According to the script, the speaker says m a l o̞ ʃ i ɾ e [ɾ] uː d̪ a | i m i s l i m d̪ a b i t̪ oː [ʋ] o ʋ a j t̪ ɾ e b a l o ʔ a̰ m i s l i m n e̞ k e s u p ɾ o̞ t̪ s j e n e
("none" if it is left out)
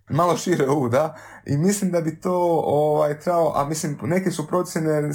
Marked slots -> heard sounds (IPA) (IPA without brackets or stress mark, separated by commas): none, none